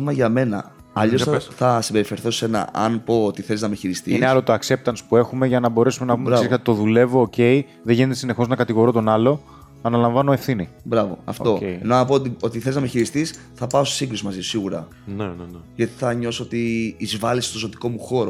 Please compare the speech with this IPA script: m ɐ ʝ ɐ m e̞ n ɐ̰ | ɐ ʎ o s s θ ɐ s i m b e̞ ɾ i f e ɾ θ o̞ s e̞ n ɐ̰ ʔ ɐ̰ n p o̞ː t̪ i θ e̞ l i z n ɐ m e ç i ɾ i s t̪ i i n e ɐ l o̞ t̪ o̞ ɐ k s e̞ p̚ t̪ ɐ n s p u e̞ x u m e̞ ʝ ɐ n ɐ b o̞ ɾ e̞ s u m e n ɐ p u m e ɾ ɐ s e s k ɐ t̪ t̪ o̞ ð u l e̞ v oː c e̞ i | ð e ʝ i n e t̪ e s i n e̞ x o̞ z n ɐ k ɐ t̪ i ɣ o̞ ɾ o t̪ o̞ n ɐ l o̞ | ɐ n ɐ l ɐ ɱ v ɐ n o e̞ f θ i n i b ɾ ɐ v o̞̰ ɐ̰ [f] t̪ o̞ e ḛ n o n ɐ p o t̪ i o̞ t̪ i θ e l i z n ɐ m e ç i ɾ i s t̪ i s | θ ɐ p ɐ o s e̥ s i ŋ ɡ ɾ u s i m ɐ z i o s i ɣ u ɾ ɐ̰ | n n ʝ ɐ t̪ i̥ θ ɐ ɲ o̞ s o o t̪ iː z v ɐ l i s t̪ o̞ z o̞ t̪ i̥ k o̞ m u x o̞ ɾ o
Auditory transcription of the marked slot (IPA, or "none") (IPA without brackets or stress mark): f